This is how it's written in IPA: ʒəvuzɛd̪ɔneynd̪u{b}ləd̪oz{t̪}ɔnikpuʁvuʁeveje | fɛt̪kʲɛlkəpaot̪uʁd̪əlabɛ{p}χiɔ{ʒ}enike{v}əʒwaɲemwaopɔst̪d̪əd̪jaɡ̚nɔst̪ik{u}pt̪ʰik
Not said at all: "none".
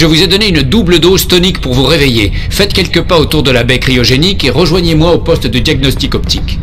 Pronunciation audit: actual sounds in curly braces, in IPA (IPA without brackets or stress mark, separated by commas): b, t̪, k, ʒ, ʁ, ɔ